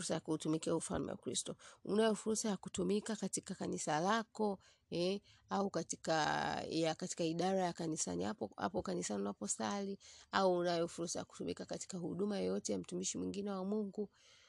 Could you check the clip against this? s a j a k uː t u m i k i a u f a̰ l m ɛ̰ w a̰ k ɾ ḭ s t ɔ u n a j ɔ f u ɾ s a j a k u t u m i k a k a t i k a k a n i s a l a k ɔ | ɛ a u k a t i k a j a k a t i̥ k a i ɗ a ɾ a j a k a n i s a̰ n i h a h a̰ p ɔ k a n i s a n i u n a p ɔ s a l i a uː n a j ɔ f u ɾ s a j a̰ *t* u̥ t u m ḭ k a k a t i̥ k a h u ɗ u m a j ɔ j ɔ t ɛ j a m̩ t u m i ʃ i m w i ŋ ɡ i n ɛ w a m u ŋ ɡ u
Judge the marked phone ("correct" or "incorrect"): incorrect